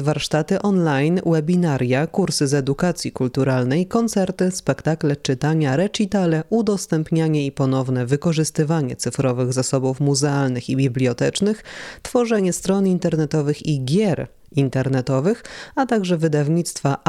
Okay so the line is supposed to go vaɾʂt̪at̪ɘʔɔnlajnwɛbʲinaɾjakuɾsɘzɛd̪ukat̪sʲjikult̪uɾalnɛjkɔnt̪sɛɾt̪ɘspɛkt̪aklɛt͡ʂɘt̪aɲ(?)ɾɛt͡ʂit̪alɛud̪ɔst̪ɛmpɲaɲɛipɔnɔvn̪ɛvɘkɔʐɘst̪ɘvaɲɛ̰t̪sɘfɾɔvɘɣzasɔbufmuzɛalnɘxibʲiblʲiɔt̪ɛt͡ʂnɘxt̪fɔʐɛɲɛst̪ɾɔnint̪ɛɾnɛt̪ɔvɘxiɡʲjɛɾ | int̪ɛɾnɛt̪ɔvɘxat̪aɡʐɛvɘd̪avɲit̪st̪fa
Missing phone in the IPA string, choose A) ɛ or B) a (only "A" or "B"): B